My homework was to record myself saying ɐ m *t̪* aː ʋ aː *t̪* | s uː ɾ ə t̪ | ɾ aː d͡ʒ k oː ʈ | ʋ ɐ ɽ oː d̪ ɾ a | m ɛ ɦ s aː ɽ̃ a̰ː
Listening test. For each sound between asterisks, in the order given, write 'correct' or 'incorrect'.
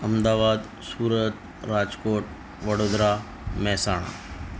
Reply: incorrect, incorrect

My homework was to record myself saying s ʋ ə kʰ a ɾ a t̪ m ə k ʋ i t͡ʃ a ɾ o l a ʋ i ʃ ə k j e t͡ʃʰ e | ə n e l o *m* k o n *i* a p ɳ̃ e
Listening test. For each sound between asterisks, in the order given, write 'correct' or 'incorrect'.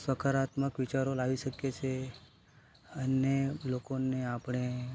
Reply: incorrect, incorrect

